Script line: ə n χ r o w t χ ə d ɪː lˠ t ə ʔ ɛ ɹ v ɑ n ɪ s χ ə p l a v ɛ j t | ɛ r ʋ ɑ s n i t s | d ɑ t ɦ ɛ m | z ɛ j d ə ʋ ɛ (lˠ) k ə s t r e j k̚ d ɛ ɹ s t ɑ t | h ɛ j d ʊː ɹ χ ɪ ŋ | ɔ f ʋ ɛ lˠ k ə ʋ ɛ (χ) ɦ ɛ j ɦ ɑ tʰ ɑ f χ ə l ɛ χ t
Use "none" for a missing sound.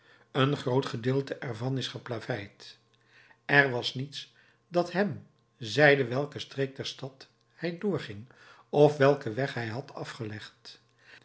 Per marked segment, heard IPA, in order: lˠ, χ

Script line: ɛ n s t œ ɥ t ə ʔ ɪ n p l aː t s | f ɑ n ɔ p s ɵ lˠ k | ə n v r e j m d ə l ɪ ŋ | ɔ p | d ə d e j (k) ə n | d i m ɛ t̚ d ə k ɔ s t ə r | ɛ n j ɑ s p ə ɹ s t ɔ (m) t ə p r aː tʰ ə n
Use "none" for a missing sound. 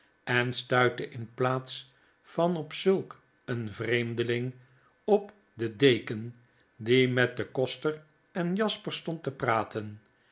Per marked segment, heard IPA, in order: k, n

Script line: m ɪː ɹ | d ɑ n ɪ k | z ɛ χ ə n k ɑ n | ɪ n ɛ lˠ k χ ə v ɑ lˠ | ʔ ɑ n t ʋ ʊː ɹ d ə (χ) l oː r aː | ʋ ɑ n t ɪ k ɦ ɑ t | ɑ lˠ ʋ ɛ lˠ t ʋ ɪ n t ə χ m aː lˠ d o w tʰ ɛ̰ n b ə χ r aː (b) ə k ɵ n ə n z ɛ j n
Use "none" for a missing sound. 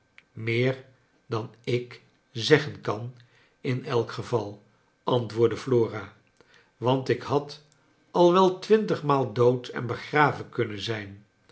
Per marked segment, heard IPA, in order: f, v

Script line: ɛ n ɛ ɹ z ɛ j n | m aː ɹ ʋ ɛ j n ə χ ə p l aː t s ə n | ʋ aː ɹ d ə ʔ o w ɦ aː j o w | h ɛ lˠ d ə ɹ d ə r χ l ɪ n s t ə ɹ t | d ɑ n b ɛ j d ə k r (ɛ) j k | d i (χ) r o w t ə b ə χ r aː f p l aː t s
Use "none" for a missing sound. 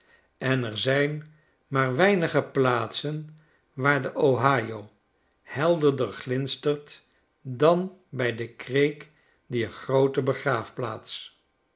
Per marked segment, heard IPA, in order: e, χ

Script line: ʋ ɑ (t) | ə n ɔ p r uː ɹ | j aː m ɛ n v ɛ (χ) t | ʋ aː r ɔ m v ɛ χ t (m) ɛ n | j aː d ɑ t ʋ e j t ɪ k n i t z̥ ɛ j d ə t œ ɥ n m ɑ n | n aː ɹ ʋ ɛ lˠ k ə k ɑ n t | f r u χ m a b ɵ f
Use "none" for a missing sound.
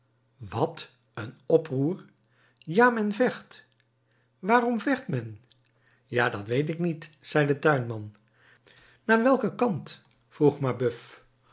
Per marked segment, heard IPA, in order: t, χ, m

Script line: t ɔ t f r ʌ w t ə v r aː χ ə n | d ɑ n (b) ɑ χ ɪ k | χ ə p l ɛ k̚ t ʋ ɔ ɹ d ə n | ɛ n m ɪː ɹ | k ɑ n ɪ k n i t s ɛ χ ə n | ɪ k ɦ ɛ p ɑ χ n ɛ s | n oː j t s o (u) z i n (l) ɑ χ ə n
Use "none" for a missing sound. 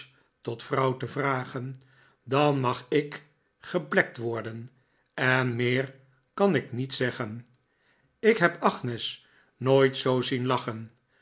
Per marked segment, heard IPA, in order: m, w, l

